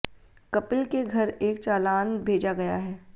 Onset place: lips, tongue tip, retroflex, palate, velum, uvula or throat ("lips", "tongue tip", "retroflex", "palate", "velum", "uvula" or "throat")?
velum